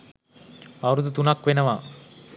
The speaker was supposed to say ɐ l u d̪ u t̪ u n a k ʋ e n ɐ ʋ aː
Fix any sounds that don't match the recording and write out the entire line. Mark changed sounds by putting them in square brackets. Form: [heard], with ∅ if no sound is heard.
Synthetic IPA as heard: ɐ [ɾ] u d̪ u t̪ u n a k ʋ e n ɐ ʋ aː